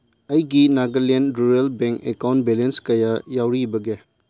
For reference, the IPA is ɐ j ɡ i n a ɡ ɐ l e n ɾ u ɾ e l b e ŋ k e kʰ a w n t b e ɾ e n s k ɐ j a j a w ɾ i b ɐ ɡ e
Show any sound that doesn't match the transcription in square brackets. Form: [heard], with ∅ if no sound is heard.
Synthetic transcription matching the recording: ɐ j ɡ i n a ɡ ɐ l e n ɾ u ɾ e l b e ŋ k e [k] a w n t b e [l] e n s k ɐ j a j a w ɾ i b ɐ ɡ e